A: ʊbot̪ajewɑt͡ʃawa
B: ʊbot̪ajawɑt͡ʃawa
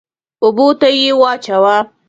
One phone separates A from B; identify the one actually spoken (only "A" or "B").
A